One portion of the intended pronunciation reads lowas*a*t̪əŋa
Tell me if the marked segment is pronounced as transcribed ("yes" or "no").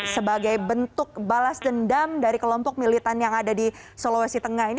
no